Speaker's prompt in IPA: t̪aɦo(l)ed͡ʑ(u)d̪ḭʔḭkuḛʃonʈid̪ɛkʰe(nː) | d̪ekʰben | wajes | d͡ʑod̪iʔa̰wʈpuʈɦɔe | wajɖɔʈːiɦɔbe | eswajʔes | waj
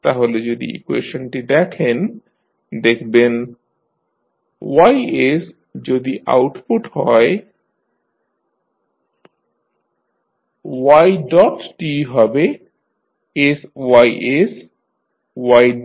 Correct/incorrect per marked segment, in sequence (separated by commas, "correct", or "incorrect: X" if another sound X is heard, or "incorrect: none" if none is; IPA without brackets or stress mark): correct, incorrect: o, incorrect: n